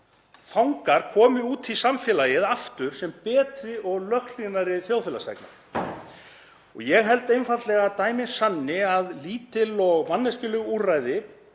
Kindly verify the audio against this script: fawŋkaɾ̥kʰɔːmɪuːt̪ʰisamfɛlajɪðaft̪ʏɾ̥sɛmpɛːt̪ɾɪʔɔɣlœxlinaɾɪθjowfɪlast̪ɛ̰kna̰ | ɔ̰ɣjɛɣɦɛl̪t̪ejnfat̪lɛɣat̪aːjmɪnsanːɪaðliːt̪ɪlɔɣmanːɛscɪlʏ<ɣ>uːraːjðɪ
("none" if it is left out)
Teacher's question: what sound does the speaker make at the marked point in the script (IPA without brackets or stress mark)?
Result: ɣ